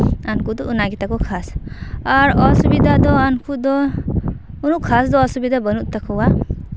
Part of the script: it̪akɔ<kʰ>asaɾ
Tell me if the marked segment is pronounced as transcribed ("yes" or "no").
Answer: yes